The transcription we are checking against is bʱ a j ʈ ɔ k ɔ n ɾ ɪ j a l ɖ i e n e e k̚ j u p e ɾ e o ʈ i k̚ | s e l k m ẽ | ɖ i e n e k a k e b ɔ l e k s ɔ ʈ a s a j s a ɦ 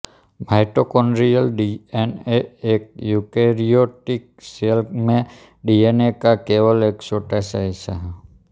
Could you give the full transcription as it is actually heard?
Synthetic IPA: bʱ a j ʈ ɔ k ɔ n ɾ i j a l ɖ i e n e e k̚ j u k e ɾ i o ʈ i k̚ | s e l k m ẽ | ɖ i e n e k a k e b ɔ l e k s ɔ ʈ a s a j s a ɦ